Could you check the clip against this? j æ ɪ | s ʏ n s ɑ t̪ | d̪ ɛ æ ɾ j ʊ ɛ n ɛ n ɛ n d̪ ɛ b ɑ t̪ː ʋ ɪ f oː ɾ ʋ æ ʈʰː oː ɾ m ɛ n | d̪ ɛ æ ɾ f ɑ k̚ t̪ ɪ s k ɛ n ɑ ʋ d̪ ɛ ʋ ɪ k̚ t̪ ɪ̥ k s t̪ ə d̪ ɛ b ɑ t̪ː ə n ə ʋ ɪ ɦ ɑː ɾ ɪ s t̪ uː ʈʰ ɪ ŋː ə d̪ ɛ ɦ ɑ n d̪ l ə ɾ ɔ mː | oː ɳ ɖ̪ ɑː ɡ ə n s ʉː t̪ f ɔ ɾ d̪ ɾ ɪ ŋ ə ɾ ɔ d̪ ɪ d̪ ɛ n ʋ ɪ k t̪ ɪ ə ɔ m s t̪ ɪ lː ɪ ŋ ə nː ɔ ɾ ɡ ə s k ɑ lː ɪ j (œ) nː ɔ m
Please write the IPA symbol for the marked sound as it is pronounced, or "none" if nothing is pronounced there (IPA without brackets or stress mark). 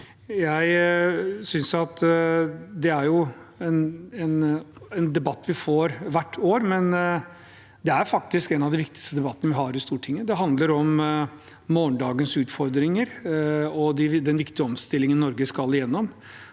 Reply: ɛ